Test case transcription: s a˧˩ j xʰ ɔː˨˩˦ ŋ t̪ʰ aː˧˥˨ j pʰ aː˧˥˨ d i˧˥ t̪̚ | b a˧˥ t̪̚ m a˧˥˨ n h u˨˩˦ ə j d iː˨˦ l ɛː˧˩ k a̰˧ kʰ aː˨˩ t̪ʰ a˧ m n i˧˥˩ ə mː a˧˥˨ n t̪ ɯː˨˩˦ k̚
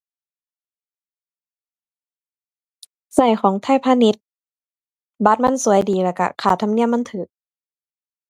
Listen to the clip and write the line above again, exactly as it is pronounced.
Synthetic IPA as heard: s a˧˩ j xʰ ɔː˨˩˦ ŋ t̪ʰ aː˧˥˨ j pʰ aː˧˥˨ n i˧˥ t̪̚ | b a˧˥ t̪̚ m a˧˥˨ n s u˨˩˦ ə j d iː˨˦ l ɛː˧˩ k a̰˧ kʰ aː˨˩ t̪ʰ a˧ m n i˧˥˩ ə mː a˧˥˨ n t̪ʰ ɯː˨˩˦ k̚